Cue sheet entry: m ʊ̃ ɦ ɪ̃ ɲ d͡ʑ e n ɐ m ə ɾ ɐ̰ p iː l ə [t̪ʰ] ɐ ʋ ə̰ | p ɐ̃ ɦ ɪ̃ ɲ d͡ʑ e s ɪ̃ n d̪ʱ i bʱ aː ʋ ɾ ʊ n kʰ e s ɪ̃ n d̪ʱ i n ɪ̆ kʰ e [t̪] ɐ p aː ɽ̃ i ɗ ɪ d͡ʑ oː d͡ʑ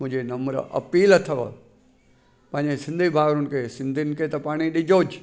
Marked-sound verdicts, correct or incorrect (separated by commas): correct, correct